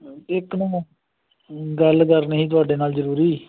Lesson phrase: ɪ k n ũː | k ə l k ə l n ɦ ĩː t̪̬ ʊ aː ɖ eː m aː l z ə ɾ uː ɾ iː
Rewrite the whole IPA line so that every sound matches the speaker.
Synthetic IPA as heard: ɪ k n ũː | ɡ ə l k ə ɾ n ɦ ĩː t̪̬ ʊ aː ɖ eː n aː l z ə ɾ uː ɾ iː

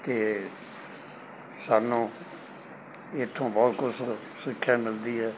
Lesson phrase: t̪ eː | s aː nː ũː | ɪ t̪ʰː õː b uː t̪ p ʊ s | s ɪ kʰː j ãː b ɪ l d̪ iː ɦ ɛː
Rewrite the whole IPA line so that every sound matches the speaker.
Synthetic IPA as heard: t̪ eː | s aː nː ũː | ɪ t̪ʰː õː b ɔː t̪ k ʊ s | s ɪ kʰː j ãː m ɪ l d̪ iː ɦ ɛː

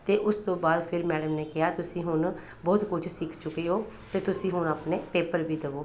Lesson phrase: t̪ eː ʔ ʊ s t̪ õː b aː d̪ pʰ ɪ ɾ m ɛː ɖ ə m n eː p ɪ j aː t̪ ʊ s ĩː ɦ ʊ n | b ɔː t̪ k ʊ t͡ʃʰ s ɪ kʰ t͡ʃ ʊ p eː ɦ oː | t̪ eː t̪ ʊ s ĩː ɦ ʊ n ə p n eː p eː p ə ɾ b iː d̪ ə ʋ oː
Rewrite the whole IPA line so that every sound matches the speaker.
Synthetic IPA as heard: t̪ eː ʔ ʊ s t̪ õː b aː d̪ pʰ ɪ ɾ m ɛː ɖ ə m n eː k ɪ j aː t̪ ʊ s ĩː ɦ ʊ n | b ɔː t̪ k ʊ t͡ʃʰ s ɪ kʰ t͡ʃ ʊ k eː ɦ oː | t̪ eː t̪ ʊ s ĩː ɦ ʊ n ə p n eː p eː p ə ɾ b iː d̪ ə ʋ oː

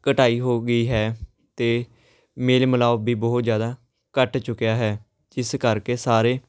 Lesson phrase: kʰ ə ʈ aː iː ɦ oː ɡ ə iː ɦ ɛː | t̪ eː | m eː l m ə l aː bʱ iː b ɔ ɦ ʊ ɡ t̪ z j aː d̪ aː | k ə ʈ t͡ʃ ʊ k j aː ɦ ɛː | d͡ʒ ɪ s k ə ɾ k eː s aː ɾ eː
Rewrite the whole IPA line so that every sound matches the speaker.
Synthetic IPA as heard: k ə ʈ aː iː ɦ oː ɡ ə iː ɦ ɛː | t̪ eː | m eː l m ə l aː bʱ iː b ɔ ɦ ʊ t̪ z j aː d̪ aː | k ə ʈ t͡ʃ ʊ k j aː ɦ ɛː | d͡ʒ ɪ s k ə ɾ k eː s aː ɾ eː

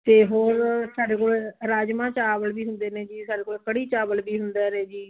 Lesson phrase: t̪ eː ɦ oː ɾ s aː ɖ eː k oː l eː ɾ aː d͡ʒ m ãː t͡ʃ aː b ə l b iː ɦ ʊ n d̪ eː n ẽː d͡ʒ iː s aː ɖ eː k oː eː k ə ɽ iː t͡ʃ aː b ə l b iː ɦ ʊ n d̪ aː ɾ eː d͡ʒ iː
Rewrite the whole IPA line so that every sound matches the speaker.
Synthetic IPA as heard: t̪ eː ɦ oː ɾ s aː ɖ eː k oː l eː ɾ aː d͡ʒ m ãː t͡ʃ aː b ə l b iː ɦ ʊ n d̪ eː n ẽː d͡ʒ iː s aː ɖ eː k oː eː k ə ɽ iː t͡ʃ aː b ə l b iː ɦ ʊ n d̪ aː ɾ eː d͡ʒ iː

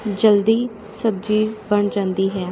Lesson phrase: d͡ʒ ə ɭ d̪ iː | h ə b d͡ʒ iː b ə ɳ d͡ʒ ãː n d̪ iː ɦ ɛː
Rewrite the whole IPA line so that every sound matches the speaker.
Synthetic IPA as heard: d͡ʒ ə l d̪ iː | s ə b d͡ʒ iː b ə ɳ d͡ʒ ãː n d̪ iː ɦ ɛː

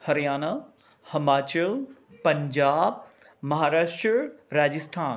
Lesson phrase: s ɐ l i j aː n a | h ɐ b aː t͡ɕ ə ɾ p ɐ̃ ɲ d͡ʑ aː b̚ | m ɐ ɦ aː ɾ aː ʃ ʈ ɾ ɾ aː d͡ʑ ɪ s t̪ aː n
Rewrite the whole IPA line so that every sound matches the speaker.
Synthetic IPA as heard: h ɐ ɾ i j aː n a | h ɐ m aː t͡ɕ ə l p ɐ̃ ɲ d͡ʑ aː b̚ | m ɐ ɦ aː ɾ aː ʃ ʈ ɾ ɾ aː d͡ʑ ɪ s t̪ʰ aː n

